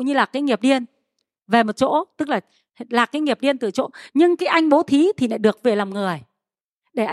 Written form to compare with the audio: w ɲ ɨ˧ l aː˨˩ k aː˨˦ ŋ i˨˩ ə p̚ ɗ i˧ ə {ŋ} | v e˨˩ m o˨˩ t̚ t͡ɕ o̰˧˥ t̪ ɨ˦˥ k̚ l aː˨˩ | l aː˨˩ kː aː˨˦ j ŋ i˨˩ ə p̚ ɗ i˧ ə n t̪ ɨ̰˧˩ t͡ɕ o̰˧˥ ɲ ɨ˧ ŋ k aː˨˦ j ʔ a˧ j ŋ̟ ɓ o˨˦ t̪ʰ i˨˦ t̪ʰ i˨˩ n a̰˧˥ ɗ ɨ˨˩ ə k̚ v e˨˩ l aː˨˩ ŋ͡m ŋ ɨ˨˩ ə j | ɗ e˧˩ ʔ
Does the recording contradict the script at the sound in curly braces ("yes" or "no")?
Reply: yes